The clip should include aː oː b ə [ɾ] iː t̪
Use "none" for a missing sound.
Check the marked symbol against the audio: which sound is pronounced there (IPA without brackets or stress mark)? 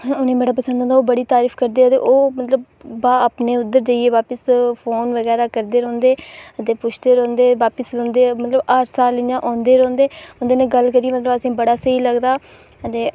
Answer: ɽ